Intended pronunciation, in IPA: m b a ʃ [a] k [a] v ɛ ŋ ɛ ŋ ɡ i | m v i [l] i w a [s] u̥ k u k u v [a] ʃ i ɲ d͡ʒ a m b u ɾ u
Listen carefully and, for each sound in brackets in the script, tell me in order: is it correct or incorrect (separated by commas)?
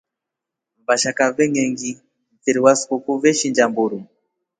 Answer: correct, correct, incorrect, correct, incorrect